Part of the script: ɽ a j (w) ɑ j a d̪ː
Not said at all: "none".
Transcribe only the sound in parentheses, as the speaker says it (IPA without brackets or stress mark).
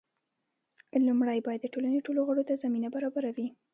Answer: b